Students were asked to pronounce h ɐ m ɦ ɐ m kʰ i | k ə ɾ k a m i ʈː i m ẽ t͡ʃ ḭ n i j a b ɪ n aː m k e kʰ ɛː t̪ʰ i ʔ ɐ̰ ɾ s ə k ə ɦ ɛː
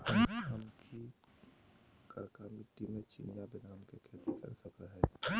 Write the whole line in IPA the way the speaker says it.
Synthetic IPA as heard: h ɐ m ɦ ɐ m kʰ i | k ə ɾ k a m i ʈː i m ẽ t͡ʃ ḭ n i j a b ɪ n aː m k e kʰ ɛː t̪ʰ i k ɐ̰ ɾ s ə k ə ɦ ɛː